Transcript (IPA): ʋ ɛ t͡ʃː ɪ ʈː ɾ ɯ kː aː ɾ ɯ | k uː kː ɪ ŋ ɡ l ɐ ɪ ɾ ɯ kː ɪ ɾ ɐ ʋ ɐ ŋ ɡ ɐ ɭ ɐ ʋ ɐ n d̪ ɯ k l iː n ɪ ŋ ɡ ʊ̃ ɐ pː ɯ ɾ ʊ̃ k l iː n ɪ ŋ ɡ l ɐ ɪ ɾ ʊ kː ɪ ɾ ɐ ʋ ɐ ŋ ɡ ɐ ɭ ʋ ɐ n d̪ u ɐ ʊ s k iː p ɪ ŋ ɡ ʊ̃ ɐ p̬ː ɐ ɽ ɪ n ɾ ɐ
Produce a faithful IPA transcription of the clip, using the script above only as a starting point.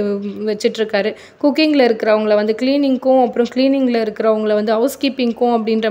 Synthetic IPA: ʋ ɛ t͡ʃː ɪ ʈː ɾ ɯ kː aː ɾ ɯ | k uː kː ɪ ŋ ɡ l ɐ ɪ ɾ ɯ kː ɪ ɾ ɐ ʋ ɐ ŋ ɡ ɐ ɭ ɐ ʋ ɐ n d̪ ɯ k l iː n ɪ ŋ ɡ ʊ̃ ɐ pː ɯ ɾ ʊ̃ k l iː n ɪ ŋ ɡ l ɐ ɪ ɾ ɯ kː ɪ ɾ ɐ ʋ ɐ ŋ ɡ ɐ ɭ ʋ ɐ n d̪ ɯ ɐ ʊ s k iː p ɪ ŋ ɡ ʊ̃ ɐ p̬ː ɐ ɽ ɪ n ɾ ɐ